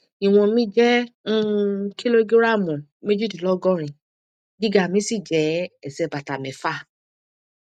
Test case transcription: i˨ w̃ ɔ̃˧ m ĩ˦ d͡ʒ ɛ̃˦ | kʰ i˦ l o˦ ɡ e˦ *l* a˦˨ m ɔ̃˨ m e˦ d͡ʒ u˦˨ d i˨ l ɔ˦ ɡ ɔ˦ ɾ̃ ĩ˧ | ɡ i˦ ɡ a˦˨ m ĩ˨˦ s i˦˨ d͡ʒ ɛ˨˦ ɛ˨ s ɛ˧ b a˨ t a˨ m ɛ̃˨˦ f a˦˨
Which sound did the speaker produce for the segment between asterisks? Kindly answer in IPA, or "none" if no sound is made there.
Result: ɾ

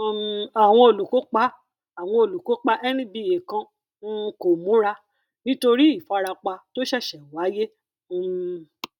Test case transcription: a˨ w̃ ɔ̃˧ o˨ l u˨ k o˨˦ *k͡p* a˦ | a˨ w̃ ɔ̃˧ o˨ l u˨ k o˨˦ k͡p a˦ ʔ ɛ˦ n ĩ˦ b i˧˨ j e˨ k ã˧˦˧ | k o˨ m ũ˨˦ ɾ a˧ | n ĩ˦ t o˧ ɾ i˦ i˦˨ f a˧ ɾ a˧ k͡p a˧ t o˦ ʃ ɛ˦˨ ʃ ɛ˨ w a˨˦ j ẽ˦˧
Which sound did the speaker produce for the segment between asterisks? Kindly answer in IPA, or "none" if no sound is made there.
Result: k͡p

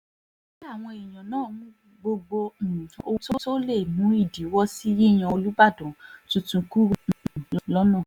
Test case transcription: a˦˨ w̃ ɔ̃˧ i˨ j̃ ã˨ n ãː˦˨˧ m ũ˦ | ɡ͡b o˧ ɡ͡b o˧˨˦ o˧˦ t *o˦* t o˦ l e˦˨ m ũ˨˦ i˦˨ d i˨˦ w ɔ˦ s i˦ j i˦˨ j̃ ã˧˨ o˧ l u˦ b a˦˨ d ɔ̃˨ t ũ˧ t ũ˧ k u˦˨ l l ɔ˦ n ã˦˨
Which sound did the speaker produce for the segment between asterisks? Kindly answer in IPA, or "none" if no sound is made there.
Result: o˦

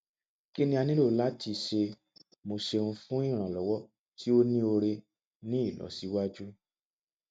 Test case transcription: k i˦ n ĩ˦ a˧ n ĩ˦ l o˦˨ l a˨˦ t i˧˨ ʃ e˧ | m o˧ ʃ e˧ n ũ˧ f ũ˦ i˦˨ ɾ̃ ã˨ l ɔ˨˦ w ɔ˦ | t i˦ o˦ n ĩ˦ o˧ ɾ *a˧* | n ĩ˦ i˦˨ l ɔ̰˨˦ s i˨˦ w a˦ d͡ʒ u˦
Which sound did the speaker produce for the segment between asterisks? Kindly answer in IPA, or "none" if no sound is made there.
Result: e˧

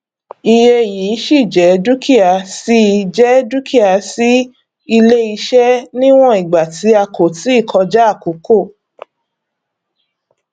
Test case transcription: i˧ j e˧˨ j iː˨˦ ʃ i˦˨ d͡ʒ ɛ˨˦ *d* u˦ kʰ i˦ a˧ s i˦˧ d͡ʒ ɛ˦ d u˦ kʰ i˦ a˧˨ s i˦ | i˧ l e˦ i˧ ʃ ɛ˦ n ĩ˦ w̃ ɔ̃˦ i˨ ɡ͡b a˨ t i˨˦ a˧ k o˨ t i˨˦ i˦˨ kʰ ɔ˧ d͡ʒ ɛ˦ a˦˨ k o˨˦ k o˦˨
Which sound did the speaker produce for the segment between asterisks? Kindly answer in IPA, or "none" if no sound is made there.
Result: d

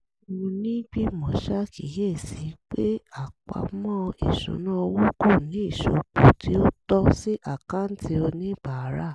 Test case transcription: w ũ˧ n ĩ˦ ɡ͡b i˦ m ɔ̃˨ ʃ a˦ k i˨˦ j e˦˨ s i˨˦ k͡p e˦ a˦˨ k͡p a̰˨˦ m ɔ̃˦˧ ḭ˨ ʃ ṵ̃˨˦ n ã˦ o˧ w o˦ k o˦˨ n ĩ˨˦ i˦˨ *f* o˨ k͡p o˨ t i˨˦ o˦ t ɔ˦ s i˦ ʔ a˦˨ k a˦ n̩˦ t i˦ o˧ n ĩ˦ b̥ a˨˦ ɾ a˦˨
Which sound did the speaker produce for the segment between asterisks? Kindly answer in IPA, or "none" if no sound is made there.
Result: ʃ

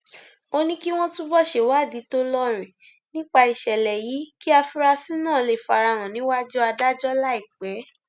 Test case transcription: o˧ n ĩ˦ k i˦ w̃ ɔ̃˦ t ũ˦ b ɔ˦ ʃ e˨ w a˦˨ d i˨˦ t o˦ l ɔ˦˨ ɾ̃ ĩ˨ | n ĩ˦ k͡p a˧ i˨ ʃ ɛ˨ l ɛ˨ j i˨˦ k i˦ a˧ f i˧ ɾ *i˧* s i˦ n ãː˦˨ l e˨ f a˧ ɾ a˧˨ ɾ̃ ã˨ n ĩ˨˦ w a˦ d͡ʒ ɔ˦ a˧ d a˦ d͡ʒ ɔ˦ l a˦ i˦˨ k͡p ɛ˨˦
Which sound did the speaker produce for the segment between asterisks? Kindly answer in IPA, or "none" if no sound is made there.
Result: a˧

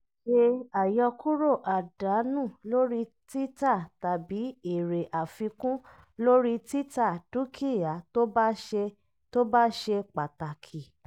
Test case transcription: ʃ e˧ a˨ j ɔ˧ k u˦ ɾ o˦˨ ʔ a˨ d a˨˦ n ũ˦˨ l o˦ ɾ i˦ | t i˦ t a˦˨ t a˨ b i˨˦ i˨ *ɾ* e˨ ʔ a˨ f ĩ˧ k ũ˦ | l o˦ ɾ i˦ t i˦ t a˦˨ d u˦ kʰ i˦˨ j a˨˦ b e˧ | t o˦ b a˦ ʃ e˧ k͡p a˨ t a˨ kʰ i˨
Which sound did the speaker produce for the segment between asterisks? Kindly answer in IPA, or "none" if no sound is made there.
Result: ɾ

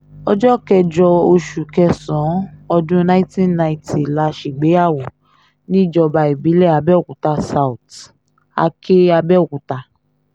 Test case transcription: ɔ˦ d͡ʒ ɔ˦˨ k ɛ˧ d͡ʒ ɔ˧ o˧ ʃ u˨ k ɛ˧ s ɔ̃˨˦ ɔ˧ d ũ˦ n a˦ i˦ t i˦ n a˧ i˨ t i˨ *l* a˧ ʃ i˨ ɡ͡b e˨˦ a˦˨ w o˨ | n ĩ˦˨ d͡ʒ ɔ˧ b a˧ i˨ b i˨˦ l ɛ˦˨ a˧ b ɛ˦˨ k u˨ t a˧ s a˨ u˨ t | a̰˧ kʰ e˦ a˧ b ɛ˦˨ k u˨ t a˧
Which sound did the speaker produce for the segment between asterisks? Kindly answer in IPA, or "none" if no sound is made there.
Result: l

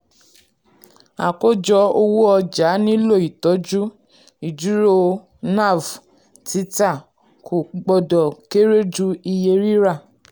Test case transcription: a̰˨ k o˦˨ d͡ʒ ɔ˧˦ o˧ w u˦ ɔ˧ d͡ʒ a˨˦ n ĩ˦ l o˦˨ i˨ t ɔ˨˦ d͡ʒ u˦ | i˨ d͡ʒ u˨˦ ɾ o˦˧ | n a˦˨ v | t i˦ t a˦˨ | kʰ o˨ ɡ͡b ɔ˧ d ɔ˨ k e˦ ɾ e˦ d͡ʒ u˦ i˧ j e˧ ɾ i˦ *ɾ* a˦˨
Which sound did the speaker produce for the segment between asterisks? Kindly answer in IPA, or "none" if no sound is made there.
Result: ɾ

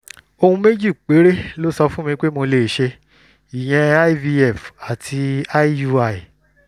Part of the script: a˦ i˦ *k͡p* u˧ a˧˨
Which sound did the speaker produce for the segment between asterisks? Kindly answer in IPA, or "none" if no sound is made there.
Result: none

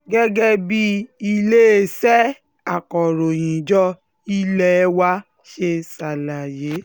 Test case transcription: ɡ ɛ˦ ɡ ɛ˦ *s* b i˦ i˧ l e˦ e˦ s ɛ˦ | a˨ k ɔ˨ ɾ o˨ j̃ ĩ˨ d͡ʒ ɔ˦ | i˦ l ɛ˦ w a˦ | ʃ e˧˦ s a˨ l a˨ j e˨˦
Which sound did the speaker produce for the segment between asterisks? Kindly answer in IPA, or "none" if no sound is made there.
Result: none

